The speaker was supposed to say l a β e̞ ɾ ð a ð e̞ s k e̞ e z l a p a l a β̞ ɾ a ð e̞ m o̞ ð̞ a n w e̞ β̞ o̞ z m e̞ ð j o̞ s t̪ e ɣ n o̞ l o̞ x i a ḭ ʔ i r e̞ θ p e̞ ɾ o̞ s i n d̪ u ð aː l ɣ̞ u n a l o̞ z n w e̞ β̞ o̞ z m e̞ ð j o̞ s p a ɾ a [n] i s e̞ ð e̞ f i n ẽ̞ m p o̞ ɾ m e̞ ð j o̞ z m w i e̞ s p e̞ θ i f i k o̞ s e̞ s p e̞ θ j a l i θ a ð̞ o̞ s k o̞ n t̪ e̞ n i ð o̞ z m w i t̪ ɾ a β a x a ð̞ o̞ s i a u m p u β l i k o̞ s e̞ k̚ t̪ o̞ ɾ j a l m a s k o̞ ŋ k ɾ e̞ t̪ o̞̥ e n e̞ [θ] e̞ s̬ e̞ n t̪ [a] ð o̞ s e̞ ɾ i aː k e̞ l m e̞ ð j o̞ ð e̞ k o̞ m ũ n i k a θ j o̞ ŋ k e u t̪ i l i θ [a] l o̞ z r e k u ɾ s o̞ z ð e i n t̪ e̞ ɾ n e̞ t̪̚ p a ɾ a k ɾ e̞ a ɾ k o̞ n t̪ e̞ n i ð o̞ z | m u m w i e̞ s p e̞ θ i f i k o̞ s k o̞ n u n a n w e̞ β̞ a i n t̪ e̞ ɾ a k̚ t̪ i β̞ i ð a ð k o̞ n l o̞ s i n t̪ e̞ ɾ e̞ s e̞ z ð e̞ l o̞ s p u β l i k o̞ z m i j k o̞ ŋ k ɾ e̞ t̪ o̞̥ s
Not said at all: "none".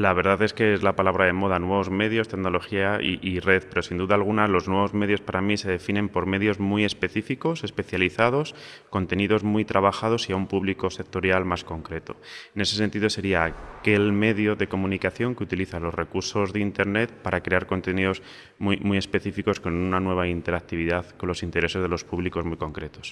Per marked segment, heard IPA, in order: m, s, i, a

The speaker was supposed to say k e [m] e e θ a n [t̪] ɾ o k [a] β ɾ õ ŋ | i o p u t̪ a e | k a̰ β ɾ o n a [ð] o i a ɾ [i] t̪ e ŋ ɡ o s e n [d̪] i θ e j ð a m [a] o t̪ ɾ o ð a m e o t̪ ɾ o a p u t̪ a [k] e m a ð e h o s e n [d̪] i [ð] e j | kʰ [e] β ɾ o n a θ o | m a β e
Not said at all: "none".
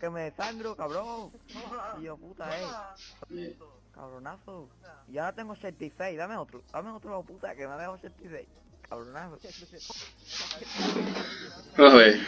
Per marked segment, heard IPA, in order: m, d̪, a, θ, a, t̪, e, k, t̪, θ, a

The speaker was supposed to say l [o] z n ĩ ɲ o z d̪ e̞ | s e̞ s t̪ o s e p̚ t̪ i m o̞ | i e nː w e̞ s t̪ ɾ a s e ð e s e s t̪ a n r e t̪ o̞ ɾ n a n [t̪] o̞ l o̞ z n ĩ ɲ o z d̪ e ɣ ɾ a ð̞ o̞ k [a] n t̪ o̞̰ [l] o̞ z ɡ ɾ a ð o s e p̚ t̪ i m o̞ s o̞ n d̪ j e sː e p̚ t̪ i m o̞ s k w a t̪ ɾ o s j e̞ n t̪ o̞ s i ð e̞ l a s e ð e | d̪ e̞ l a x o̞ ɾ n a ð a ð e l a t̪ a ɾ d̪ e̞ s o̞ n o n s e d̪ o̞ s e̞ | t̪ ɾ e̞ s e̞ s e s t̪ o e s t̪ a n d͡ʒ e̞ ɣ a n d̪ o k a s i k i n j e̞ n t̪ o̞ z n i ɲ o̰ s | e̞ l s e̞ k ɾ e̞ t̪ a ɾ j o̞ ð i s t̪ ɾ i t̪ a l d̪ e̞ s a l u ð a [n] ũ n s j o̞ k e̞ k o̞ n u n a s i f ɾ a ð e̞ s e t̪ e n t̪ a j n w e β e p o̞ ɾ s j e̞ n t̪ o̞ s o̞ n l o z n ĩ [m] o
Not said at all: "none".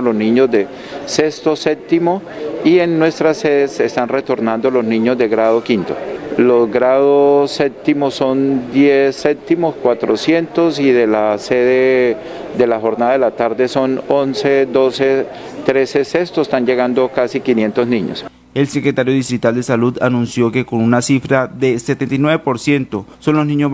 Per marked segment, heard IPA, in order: o, d̪, i, l, n, ɲ

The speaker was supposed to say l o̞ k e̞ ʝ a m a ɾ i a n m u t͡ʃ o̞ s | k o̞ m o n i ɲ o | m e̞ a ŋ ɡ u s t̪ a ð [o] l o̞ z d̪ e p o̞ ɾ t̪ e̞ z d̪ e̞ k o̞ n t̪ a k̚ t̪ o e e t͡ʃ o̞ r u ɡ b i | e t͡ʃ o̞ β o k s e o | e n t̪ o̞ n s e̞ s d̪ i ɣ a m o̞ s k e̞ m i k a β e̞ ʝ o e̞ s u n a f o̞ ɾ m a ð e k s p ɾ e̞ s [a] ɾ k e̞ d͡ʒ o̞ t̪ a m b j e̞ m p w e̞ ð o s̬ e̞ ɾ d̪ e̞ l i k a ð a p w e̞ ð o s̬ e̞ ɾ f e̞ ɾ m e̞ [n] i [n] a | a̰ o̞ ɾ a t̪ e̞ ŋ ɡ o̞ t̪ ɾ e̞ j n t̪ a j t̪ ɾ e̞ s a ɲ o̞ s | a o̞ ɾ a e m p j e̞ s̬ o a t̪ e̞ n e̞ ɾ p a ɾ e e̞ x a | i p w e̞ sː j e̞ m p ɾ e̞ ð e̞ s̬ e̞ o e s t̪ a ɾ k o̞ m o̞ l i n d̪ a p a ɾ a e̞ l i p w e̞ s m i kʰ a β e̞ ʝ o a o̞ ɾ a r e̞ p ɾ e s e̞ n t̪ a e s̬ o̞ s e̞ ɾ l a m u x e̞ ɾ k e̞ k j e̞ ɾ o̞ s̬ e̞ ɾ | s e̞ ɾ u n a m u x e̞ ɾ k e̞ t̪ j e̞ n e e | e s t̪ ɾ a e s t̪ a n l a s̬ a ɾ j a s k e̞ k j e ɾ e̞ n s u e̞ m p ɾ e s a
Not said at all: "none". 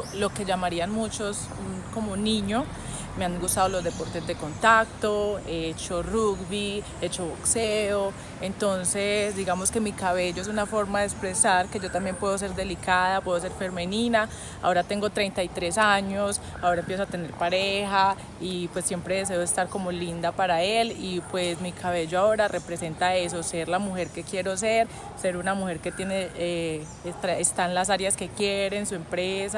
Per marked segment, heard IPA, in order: o, a, n, n

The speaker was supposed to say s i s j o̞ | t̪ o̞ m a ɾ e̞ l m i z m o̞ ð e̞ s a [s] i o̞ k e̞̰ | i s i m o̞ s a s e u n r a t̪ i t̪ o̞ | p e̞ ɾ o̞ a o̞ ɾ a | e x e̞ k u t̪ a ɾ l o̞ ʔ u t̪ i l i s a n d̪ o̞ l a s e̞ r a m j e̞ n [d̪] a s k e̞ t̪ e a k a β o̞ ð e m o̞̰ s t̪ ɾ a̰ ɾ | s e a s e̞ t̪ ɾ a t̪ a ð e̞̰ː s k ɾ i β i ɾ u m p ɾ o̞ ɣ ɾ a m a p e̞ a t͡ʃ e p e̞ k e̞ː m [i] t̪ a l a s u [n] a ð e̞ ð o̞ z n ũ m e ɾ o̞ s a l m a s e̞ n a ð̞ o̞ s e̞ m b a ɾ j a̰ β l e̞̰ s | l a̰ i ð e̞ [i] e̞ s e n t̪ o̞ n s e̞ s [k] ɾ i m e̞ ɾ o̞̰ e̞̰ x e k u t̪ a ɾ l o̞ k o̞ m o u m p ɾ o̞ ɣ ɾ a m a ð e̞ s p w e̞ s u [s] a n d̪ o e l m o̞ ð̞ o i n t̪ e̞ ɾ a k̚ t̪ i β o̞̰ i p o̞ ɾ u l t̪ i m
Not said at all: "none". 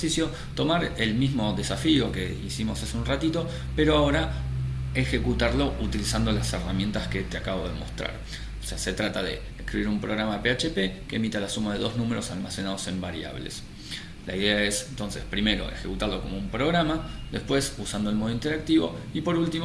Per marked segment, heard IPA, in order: f, t̪, i, m, a, p, s

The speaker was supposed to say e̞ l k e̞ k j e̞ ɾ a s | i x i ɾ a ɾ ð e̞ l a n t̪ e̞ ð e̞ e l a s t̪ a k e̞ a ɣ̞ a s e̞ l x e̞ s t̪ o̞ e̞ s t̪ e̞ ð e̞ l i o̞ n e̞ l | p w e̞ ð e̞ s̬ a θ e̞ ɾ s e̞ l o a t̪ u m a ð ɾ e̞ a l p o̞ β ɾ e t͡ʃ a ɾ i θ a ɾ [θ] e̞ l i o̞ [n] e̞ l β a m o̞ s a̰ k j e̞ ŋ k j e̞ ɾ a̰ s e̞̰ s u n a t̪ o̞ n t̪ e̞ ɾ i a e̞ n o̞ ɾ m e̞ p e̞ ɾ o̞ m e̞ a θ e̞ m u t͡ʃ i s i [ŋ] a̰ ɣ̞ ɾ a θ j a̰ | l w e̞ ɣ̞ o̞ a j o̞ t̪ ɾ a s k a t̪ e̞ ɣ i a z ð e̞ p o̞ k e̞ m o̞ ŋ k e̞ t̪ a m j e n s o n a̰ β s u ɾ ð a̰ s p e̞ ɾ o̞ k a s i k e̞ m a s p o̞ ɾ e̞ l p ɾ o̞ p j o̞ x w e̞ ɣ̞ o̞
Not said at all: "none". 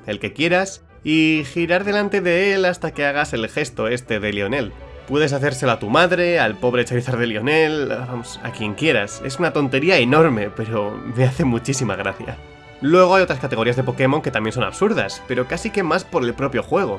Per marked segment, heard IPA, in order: ð, n, m

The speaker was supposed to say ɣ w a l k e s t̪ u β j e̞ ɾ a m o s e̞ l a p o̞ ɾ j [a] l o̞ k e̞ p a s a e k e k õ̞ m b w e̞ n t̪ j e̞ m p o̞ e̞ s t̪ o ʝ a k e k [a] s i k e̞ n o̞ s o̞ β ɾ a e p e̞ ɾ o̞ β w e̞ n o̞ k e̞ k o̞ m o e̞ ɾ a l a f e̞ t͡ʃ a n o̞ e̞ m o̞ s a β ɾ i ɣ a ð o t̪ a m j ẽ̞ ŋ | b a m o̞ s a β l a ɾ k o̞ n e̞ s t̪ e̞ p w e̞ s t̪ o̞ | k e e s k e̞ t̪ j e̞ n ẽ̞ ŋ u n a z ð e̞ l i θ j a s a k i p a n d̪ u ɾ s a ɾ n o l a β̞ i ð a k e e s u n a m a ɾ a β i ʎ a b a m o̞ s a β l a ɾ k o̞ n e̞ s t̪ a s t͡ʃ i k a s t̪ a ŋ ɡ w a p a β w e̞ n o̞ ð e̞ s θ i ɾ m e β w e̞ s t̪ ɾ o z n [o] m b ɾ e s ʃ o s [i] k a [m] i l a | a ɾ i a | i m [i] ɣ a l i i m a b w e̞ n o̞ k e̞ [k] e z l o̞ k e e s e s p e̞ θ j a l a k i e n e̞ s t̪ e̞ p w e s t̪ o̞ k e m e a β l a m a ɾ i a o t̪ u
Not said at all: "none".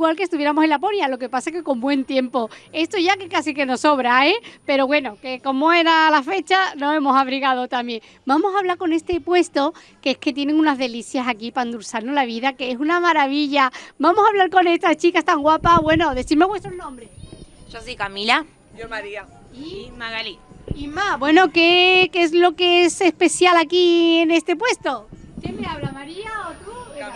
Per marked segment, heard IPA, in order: a, a, õ, i, m, a, k

